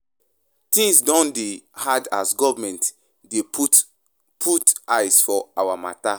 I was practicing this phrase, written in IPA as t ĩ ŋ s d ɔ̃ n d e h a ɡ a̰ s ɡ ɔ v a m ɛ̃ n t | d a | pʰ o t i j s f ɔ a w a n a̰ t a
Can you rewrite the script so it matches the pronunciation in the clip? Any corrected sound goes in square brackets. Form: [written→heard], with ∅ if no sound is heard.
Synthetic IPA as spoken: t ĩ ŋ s d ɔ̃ n d e h a [ɡ→d] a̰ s ɡ ɔ v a m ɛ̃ n t | d [a→e] | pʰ [o→u] t [i→a] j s f ɔ a w a [n→m] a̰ t a